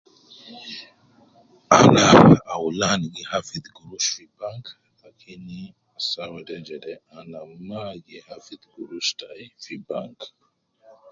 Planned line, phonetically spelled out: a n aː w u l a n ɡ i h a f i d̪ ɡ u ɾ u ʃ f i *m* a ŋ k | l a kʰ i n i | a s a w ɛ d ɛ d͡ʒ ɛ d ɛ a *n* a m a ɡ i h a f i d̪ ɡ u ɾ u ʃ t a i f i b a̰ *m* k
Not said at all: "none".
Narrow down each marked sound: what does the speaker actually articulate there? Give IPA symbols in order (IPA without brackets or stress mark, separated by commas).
b, n, ŋ